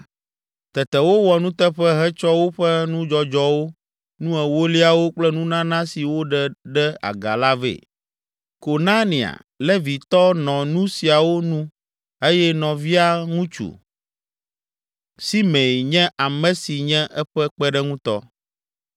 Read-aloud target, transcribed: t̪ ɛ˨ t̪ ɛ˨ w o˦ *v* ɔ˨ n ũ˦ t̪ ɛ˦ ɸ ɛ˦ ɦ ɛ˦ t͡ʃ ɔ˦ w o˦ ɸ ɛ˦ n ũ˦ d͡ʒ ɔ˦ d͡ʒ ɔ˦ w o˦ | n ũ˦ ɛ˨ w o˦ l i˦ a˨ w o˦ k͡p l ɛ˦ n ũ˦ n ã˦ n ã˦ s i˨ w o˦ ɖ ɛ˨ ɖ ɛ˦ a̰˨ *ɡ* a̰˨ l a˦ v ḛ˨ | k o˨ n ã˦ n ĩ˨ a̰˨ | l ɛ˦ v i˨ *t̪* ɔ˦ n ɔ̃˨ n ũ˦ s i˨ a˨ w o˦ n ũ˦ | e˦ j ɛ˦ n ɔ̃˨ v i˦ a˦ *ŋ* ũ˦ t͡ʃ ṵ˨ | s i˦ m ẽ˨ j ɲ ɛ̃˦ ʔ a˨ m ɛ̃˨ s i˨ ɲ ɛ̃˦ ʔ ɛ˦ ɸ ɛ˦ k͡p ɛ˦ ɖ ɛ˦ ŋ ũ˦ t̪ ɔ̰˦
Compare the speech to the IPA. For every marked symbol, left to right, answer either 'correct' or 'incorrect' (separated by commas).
incorrect, correct, correct, correct